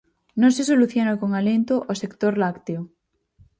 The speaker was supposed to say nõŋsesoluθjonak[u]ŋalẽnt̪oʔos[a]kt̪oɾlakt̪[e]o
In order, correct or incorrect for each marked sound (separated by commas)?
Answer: incorrect, incorrect, correct